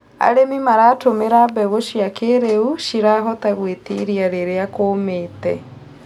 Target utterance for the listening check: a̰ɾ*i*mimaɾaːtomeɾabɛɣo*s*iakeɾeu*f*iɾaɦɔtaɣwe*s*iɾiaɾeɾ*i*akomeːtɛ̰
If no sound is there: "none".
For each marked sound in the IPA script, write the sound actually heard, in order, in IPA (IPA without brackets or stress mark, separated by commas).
e, ʃ, ʃ, t, e